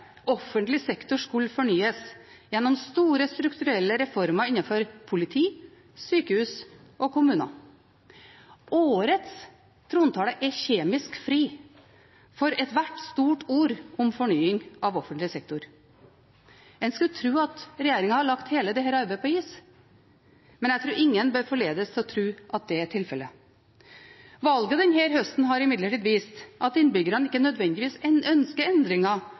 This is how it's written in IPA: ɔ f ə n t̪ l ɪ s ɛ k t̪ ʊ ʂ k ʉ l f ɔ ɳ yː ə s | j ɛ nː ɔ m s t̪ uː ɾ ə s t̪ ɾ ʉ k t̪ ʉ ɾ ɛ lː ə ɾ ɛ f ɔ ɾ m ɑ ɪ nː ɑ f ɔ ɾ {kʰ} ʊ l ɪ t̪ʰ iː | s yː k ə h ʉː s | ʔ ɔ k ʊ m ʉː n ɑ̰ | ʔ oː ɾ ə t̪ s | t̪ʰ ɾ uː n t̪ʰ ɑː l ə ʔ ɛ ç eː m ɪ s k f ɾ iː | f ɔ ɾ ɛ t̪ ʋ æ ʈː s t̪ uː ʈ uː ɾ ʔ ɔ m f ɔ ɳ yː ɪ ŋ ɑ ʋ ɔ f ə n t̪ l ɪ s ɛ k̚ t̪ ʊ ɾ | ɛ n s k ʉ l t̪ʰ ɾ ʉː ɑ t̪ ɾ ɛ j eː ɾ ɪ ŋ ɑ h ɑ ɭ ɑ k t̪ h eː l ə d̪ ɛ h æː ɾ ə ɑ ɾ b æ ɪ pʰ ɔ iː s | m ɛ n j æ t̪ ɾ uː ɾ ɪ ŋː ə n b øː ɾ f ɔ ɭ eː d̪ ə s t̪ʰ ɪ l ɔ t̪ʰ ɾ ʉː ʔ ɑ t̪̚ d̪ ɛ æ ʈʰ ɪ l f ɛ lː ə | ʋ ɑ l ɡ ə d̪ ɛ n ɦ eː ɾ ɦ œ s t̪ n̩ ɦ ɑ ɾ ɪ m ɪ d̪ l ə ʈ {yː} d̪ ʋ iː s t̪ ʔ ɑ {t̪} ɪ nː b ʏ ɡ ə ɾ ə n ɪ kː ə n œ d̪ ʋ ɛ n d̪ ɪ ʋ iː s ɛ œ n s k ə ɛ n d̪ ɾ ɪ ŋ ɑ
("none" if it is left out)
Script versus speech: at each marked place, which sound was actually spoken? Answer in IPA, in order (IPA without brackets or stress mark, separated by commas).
pʰ, iː, t̪